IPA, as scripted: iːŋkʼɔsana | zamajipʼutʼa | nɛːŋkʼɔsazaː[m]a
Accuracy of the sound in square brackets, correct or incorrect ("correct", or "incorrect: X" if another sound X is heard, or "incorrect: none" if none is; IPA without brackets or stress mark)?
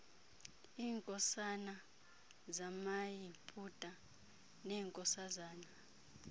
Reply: incorrect: n